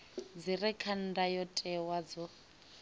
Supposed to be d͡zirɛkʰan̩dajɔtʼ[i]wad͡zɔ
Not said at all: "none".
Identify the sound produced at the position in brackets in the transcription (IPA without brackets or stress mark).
ɛ